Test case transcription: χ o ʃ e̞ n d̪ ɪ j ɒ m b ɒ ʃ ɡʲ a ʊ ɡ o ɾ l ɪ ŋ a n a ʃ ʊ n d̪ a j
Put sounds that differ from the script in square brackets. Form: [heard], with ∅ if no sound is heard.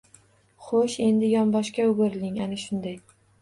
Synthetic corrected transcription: χ o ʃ e̞ n d̪ ɪ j ɒ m b ɒ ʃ [kʲ] a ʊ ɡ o ɾ l ɪ ŋ a n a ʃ ʊ n d̪ a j